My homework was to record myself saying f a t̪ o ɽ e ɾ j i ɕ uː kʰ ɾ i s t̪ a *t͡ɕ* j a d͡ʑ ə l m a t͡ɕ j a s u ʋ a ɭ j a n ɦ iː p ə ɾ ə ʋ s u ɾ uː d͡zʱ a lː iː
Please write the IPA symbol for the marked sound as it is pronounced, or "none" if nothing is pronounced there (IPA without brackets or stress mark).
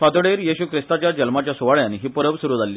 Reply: t͡ɕ